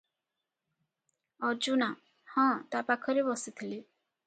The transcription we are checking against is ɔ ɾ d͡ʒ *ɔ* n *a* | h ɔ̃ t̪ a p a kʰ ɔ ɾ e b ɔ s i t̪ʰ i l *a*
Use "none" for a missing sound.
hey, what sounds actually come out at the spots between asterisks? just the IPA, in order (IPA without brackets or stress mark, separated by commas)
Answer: u, a, i